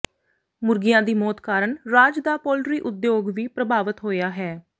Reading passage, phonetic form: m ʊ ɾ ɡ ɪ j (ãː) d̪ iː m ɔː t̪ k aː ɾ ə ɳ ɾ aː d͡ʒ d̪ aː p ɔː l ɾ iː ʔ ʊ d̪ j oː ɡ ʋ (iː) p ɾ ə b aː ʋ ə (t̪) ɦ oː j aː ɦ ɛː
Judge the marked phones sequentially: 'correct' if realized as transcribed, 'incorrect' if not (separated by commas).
correct, correct, correct